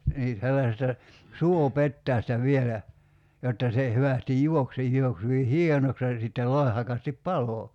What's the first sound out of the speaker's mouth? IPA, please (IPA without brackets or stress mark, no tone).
n